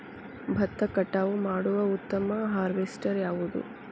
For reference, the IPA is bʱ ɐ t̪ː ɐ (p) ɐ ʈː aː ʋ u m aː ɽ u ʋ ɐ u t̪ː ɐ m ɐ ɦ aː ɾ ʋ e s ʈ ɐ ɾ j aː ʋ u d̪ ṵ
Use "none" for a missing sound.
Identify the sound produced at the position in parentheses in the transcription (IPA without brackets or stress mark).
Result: k